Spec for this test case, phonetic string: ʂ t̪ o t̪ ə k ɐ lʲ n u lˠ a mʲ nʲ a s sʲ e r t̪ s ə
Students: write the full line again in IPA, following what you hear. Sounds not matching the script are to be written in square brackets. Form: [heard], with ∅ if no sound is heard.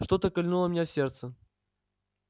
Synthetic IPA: ʂ t̪ o t̪ ə k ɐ lʲ n u lˠ [ə] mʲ nʲ a [f] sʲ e r t̪ s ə